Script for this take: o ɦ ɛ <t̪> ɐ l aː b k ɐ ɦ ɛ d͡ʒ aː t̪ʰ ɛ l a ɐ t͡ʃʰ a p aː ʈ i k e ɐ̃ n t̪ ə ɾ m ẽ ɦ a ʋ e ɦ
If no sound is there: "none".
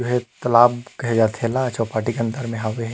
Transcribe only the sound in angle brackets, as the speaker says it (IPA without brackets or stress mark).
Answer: t̪